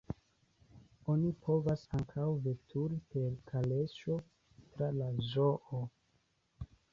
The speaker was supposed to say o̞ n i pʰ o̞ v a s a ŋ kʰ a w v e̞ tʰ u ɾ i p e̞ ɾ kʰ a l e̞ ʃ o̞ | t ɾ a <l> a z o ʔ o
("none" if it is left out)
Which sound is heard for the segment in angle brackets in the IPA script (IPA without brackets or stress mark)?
l